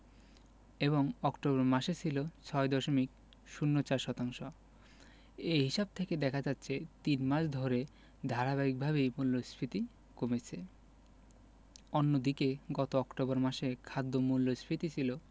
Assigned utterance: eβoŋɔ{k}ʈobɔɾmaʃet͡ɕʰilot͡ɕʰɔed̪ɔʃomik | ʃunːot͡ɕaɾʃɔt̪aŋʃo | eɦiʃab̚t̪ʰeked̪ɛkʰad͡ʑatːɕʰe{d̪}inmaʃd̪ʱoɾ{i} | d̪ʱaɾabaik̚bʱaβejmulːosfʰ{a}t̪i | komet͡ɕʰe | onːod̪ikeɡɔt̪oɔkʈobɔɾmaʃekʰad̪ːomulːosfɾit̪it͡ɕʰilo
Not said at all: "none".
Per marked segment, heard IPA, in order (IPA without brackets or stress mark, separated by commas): k, t̪, e, i